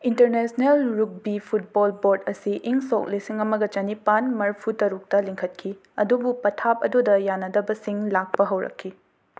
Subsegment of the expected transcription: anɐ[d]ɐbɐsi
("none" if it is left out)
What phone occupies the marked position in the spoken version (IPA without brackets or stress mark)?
d